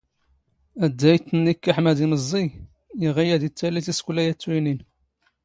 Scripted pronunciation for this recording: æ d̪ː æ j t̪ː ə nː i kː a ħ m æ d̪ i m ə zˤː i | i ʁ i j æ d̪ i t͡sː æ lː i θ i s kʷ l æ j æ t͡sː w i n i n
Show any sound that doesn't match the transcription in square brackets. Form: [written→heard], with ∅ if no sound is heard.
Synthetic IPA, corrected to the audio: æ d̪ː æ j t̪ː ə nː i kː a ħ m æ d̪ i m ə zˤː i | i ʁ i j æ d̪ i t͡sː æ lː i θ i s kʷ l æ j æ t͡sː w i n i n

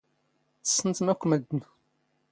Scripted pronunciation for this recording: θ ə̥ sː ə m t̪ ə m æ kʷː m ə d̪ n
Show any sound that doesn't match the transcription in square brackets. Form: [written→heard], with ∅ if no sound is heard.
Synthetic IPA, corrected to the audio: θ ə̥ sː ə [m→n] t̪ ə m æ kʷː m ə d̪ n

